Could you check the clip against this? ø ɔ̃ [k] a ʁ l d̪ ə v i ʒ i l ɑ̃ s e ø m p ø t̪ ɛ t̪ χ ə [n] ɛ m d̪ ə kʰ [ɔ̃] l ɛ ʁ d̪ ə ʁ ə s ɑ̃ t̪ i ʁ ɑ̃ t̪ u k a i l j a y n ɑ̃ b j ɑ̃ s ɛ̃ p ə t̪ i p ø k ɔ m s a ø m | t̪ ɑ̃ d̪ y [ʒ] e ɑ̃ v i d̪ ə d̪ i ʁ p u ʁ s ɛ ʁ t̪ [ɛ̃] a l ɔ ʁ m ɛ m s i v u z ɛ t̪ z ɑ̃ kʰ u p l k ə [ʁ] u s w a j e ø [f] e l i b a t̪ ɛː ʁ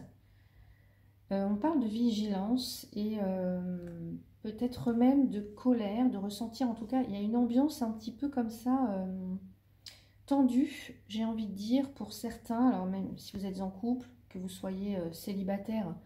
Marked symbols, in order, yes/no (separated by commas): no, no, no, yes, yes, no, no